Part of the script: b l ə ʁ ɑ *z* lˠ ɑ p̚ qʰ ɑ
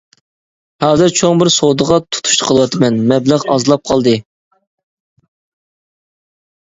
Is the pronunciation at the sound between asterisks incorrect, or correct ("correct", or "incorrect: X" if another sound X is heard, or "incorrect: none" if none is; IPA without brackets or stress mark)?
correct